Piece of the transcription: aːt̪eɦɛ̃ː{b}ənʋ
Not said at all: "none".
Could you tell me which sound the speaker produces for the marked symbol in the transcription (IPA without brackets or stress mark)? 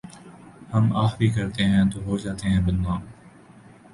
b